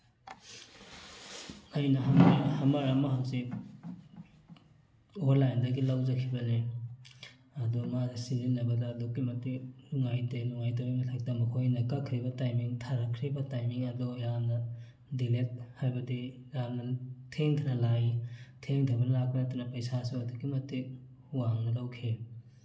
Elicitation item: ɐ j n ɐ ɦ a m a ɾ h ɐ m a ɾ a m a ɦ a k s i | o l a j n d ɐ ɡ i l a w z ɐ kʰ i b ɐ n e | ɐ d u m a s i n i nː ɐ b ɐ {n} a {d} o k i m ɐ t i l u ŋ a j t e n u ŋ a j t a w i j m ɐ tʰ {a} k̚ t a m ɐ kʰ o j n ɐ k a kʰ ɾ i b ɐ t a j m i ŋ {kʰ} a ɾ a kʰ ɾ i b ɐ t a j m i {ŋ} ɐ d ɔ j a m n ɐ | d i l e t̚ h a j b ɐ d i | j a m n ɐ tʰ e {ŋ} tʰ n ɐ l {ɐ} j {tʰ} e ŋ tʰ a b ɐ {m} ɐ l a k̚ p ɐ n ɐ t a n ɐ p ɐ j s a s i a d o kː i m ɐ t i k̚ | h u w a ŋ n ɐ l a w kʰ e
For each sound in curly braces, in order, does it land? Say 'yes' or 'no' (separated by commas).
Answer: no, yes, yes, no, yes, yes, no, yes, no